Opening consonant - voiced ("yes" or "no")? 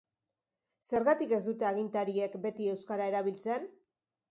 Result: no